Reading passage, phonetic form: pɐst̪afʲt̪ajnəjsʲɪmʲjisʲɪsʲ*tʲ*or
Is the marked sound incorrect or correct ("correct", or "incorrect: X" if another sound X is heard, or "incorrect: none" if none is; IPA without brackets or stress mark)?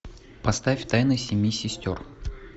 correct